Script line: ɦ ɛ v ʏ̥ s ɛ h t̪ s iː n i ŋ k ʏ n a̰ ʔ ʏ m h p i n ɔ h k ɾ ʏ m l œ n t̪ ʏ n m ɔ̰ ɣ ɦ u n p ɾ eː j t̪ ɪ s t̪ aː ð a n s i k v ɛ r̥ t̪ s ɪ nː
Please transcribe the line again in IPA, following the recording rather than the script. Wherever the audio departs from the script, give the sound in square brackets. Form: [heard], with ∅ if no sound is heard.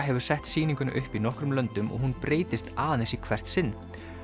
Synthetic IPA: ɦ ɛ v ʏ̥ s ɛ h t̪ s iː n i ŋ k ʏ n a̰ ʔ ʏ [∅] h p i n ɔ h k ɾ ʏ m l œ n t̪ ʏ [∅] m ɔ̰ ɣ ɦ u n p ɾ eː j t̪ ɪ s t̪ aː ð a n s i [kʰ] v ɛ r̥ t̪ s ɪ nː